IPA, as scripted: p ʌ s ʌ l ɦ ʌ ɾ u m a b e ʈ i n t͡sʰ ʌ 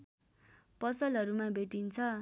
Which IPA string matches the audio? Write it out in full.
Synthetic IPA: p ʌ s ʌ l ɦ ʌ ɾ u m a b e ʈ i n t͡sʰ ʌ